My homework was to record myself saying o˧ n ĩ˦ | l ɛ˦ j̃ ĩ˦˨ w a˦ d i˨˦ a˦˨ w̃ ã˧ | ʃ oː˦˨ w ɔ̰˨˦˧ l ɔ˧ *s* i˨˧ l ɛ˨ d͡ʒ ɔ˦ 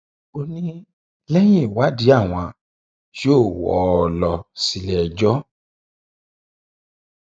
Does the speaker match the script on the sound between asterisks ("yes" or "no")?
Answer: yes